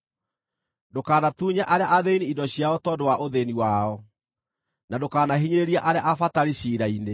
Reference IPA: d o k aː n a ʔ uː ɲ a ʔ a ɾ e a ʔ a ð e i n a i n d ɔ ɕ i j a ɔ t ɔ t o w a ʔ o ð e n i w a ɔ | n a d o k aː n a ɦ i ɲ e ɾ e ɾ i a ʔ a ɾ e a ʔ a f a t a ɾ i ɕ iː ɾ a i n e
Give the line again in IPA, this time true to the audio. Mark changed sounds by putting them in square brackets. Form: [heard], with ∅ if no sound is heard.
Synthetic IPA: d o k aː n a [t] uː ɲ a ʔ a ɾ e a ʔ a ð e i n [i] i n d ɔ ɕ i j a ɔ t ɔ [d] o w a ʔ o ð e n i w a ɔ | n a d o k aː n a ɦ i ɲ e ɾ e ɾ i a ʔ a ɾ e a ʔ a f a t a ɾ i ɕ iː ɾ a i n e